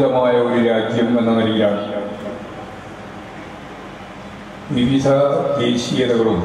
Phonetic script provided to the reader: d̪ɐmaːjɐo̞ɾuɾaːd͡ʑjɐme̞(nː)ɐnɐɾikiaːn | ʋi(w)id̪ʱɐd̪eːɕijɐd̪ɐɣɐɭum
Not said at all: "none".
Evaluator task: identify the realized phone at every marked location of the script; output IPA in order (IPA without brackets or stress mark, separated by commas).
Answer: nː, ʋ